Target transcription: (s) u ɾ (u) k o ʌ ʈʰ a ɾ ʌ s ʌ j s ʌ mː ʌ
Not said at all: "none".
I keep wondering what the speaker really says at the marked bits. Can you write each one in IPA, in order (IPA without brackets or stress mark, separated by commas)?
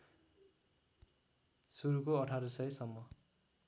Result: s, u